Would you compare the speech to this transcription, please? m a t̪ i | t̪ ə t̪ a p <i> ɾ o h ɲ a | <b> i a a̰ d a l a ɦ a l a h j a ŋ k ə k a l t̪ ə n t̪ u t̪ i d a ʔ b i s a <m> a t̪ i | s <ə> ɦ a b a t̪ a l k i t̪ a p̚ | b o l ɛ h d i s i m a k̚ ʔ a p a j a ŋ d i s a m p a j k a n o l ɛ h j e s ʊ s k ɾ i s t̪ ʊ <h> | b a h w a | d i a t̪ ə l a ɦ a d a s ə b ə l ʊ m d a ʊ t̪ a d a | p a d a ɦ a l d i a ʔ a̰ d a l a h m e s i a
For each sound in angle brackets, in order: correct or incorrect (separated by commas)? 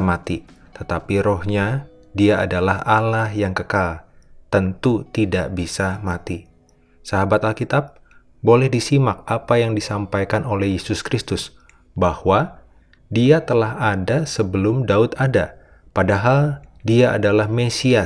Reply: correct, incorrect, correct, incorrect, incorrect